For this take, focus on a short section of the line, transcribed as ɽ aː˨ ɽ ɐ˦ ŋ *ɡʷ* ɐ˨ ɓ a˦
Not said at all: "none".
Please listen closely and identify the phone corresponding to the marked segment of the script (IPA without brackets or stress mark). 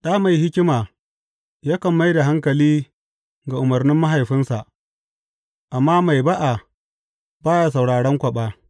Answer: kʷ